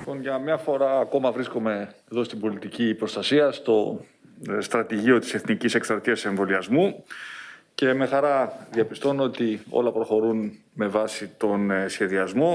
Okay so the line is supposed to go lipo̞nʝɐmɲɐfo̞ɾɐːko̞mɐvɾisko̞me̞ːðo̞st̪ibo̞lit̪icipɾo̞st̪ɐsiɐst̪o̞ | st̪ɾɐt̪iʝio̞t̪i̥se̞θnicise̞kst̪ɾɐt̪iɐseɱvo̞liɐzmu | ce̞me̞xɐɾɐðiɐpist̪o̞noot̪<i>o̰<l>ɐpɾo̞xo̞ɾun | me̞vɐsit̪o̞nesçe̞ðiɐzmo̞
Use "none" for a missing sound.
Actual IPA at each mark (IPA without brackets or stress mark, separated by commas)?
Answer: i, l